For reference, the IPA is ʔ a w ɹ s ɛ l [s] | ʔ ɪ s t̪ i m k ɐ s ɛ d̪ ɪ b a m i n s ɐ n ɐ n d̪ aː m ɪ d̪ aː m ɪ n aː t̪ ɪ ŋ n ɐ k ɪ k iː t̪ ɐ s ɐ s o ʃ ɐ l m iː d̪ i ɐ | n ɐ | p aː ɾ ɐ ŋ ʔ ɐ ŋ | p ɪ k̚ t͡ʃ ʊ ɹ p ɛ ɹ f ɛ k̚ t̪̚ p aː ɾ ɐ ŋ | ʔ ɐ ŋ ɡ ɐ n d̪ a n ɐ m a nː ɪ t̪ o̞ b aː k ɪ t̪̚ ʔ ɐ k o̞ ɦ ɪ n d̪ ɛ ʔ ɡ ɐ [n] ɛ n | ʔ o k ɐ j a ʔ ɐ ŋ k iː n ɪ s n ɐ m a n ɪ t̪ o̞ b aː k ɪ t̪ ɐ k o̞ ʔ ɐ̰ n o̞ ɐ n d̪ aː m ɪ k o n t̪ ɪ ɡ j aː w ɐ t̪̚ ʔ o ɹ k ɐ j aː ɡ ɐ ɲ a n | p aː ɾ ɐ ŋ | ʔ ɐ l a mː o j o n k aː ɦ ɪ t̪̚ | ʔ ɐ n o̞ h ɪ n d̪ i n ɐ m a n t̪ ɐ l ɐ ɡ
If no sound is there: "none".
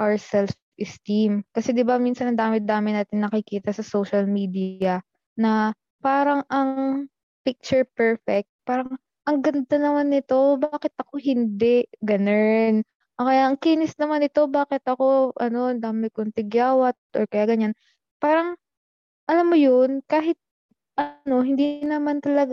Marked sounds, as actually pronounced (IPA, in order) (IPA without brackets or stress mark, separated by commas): f, n